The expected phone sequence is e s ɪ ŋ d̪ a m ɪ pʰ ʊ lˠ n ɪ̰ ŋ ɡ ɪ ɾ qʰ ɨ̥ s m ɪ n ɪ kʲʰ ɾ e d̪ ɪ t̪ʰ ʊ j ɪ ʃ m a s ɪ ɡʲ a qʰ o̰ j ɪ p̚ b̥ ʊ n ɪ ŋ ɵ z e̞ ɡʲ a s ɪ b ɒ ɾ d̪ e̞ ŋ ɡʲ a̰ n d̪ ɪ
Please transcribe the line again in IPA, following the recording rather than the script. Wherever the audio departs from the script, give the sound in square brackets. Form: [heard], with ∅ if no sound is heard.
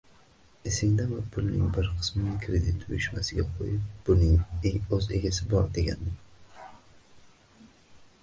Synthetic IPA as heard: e s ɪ ŋ d̪ a m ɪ pʰ ʊ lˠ n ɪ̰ ŋ [b] ɪ ɾ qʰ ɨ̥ s m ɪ n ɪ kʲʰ ɾ e d̪ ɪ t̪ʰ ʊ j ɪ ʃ m a s ɪ ɡʲ a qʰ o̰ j ɪ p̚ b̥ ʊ n ɪ ŋ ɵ z e̞ ɡʲ a s ɪ b ɒ ɾ d̪ e̞ [∅] ɡʲ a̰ n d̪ ɪ